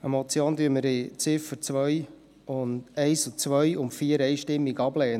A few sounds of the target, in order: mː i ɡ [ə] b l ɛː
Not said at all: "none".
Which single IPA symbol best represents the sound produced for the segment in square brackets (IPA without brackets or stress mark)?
ɑ